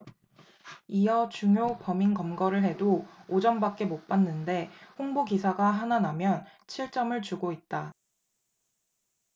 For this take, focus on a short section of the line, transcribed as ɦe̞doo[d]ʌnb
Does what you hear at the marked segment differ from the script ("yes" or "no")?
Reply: yes